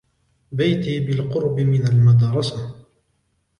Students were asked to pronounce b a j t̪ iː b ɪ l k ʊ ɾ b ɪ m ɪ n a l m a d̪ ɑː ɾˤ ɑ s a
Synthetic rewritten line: b a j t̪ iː b ɪ l q ʊ ɾ b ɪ m ɪ n a l m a d̪ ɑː ɾˤ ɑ s a